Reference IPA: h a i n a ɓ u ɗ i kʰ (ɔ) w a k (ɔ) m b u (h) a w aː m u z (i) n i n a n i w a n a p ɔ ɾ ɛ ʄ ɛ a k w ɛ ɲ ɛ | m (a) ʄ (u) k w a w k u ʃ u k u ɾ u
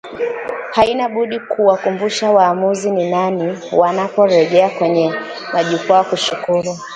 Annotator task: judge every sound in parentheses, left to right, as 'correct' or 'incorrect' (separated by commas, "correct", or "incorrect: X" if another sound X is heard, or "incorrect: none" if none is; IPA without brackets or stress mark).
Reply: incorrect: u, incorrect: u, incorrect: ʃ, correct, correct, correct